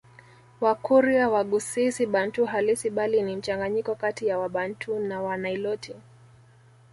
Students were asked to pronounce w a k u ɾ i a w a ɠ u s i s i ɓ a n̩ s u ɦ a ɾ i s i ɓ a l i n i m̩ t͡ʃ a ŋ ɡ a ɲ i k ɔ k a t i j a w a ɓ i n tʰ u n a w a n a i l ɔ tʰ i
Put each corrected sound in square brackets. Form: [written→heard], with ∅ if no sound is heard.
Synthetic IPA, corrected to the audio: w a k u ɾ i a w a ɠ u s i s i ɓ a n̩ [s→t] u ɦ a [ɾ→l] i s i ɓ a l i n i m̩ t͡ʃ a ŋ ɡ a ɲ i k ɔ k a t i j a w a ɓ [i→a] n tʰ u n a w a n a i l ɔ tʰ i